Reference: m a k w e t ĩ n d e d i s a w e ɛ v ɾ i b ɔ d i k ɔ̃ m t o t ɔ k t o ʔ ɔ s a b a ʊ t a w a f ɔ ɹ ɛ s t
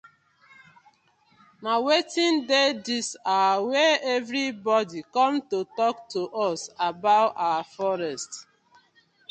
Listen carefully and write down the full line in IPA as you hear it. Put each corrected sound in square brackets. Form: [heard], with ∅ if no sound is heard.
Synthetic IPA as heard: m a [∅] w e t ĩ n d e d i s a w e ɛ v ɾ i b ɔ d i k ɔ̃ m t o t ɔ k t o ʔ ɔ s a b a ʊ t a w a f ɔ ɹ ɛ s t